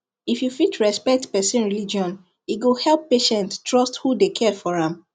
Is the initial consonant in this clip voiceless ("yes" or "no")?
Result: yes